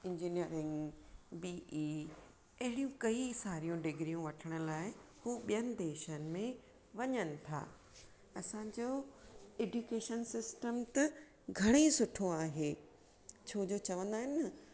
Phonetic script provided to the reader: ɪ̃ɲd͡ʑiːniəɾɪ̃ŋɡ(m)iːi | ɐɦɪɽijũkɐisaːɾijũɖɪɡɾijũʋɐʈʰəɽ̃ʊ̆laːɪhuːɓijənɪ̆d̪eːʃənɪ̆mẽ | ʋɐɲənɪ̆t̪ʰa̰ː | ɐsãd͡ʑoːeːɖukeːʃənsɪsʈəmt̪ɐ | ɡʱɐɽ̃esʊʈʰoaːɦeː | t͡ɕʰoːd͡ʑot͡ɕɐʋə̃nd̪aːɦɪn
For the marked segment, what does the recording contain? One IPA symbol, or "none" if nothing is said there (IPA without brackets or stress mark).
b